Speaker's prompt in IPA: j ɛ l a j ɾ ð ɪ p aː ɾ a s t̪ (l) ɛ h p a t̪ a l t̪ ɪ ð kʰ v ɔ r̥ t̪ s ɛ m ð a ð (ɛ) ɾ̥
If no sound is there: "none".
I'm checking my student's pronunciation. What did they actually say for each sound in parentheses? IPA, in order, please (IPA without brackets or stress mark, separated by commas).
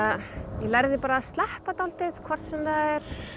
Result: l, ɛ